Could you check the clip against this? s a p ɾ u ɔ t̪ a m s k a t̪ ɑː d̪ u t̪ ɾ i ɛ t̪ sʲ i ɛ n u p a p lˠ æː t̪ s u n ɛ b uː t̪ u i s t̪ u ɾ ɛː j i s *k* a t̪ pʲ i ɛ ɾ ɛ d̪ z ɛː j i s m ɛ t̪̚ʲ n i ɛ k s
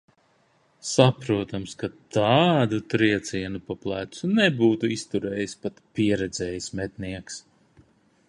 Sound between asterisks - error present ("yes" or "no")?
yes